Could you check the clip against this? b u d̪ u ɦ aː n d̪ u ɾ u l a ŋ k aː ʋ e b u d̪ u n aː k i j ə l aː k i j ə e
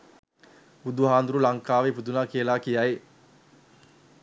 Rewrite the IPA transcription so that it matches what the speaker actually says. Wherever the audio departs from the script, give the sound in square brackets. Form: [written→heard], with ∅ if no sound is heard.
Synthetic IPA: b u d̪ u ɦ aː n d̪ u ɾ u l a ŋ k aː ʋ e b u d̪ u n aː k i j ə l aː k i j [ə→a] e